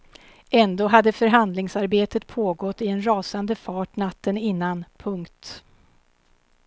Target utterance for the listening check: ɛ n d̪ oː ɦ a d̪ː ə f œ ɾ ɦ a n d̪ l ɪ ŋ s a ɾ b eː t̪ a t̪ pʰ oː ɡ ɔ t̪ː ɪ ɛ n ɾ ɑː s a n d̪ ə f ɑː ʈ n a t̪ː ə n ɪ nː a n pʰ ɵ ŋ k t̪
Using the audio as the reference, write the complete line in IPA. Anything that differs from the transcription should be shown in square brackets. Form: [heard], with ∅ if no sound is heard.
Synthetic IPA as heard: ɛ n d̪ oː ɦ a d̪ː ə f œ ɾ ɦ a n d̪ l ɪ ŋ s a ɾ b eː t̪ [ə] t̪ pʰ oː ɡ ɔ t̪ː ɪ ɛ n ɾ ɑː s a n d̪ ə f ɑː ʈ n a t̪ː ə n ɪ nː a n pʰ ɵ ŋ k t̪